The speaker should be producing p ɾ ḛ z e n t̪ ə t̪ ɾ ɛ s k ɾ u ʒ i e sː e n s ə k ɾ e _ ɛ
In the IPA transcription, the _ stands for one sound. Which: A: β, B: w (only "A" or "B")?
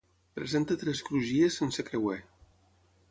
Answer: B